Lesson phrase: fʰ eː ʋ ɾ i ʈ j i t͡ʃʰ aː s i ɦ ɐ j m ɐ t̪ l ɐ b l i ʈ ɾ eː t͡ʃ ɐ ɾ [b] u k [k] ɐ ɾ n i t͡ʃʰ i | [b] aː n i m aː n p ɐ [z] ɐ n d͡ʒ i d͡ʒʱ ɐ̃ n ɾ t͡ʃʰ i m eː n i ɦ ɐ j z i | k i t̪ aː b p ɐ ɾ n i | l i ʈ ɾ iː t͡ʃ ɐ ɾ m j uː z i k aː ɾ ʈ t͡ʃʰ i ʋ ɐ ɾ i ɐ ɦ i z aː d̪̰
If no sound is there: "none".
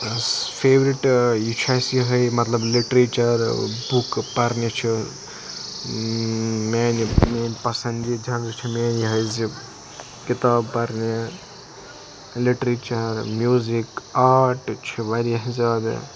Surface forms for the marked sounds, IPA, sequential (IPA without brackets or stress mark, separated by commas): b, p, m, s